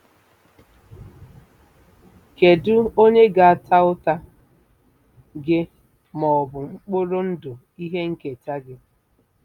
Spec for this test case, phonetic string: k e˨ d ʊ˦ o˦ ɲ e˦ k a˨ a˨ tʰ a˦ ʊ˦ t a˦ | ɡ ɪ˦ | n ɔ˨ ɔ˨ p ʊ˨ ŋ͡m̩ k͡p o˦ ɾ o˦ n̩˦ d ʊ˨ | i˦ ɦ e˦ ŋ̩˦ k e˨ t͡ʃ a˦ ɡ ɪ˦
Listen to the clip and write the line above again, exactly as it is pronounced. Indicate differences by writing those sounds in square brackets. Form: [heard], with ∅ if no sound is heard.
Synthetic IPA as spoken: k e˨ d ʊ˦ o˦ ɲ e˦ [ɡ] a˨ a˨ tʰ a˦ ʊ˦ t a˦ | ɡ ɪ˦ | [m] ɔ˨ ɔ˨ [b] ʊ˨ ŋ͡m̩ k͡p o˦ ɾ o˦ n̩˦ d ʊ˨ | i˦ ɦ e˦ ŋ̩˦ k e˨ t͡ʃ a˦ ɡ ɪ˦